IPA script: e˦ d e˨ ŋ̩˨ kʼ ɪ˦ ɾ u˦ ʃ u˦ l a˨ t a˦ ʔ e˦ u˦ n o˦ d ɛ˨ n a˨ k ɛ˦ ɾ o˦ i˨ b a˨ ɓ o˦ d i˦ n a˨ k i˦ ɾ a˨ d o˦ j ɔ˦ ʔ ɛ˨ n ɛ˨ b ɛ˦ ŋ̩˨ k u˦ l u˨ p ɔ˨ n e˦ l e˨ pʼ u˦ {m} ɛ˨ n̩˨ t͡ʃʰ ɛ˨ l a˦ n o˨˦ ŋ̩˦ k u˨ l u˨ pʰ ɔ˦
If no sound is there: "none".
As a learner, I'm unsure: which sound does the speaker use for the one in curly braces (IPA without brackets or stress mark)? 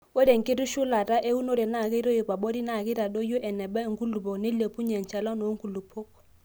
ɲ